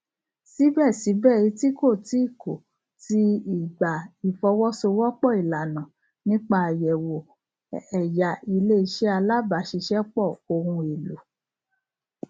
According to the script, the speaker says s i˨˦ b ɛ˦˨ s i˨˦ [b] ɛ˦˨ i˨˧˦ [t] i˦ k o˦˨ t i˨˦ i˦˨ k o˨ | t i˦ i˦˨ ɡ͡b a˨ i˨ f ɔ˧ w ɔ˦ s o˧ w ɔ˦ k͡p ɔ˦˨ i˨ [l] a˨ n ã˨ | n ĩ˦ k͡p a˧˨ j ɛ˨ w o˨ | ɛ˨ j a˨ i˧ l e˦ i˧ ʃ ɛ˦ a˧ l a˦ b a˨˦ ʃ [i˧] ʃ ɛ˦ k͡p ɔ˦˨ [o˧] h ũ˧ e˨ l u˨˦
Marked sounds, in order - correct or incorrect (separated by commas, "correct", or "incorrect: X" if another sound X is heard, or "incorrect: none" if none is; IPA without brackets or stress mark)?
correct, correct, correct, correct, correct